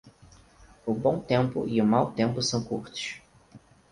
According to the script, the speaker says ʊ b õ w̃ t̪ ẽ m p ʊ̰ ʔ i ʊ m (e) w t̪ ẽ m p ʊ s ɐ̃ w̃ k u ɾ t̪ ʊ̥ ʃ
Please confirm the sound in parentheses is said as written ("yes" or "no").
no